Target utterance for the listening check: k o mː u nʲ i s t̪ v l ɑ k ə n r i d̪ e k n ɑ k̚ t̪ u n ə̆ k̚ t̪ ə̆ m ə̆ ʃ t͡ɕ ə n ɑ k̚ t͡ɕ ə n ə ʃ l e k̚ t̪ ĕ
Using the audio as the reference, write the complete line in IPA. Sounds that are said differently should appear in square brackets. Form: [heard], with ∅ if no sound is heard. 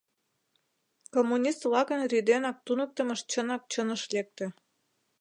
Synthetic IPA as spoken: k o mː u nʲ i s t̪ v l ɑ k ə n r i d̪ e [∅] n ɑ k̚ t̪ u n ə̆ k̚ t̪ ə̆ m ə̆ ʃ t͡ɕ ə n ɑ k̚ t͡ɕ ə n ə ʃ l e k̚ t̪ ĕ